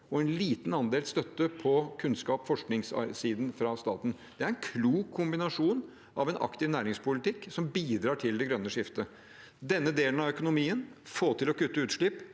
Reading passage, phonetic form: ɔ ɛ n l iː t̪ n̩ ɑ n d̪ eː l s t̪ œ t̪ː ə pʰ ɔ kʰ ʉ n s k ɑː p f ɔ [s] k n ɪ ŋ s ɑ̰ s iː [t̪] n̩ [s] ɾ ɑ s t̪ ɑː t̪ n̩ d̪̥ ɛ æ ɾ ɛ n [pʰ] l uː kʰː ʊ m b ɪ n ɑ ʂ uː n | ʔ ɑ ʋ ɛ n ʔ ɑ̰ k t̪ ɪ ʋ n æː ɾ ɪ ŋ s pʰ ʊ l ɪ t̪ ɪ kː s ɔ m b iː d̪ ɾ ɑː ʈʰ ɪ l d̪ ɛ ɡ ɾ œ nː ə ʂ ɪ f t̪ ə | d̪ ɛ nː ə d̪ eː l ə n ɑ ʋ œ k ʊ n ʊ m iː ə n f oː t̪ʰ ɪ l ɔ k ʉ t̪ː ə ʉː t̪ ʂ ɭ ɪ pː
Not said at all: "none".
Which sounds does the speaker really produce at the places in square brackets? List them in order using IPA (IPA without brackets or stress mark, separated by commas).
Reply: ʂ, d̪, f, kʰ